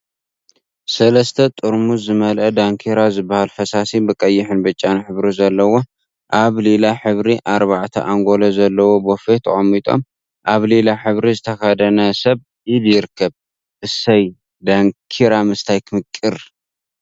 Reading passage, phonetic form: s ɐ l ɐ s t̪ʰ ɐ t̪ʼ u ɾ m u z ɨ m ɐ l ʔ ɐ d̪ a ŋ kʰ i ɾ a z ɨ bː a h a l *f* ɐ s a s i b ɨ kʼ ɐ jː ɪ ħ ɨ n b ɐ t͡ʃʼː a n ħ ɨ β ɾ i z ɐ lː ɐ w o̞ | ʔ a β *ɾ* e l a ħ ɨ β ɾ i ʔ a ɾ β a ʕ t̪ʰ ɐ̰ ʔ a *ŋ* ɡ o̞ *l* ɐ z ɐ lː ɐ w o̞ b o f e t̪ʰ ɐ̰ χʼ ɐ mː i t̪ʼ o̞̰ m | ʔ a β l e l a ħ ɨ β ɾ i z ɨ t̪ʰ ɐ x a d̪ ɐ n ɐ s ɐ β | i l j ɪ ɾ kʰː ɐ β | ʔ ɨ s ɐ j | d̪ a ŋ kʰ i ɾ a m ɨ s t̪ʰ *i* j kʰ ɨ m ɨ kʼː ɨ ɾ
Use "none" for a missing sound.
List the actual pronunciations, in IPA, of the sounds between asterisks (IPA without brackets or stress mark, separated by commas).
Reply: f, l, ŋ, l, a